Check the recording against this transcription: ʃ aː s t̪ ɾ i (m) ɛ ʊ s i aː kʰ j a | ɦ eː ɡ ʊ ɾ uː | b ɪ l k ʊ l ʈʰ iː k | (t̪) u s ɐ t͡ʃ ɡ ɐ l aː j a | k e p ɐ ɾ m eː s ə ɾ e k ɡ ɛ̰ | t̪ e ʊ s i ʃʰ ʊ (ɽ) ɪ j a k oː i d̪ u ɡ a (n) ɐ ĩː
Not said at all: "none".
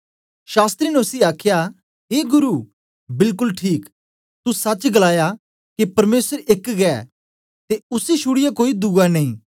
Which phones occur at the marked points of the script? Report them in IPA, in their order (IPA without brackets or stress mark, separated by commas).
n, t̪, ɽ, n